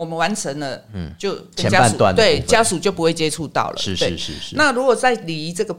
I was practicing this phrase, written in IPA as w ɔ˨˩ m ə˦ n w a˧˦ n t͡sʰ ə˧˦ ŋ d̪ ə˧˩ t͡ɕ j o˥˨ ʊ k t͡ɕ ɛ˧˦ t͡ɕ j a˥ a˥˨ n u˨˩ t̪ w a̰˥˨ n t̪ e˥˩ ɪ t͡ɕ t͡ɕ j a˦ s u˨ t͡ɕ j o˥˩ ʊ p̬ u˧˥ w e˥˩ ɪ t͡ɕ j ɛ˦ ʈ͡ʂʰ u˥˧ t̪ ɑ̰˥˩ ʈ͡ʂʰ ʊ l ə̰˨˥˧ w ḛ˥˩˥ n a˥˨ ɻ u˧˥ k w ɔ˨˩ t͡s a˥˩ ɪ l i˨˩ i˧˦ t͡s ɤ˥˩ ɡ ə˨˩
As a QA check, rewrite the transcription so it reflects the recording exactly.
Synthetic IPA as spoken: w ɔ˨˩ m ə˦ n w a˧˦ n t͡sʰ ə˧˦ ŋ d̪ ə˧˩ t͡ɕ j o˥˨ ʊ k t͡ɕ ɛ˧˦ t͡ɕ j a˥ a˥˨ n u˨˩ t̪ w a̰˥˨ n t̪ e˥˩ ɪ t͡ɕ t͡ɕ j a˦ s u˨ t͡ɕ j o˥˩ ʊ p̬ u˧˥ w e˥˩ ɪ t͡ɕ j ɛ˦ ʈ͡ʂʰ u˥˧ t̪ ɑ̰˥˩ ʊ l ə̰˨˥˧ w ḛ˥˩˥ n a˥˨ ɻ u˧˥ k w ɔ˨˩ t͡s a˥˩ ɪ l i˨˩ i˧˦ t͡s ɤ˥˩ ɡ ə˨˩